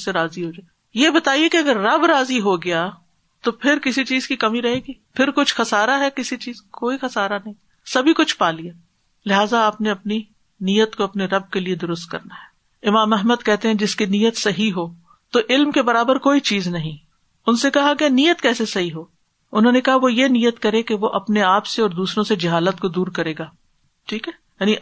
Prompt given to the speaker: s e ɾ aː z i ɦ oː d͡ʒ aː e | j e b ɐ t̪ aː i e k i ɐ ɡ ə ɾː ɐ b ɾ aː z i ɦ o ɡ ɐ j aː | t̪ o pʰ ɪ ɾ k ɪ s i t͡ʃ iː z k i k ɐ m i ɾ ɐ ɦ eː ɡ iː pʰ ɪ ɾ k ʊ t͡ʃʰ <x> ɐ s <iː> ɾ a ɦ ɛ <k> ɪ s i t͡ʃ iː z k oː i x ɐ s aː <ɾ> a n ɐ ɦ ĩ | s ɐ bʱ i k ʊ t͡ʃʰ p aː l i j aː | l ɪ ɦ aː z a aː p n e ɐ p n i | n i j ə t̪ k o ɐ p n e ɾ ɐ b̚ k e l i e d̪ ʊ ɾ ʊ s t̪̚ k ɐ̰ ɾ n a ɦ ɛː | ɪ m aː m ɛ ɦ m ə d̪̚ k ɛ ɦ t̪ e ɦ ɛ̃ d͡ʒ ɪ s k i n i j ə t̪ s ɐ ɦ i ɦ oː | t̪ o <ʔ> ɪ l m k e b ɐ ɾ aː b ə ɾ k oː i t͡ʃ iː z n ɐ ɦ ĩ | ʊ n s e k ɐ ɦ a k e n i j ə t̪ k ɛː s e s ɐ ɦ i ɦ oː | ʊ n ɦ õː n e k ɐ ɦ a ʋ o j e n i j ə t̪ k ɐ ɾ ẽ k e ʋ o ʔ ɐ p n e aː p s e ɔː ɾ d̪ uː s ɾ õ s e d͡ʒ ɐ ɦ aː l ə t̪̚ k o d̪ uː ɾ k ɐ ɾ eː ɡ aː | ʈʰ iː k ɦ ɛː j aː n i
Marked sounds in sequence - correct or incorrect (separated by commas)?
correct, incorrect, correct, correct, correct